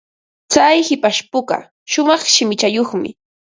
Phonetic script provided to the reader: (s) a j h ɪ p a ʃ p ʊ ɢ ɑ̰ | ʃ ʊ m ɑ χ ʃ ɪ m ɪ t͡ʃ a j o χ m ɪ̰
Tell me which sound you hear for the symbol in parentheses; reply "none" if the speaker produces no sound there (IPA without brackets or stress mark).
t͡s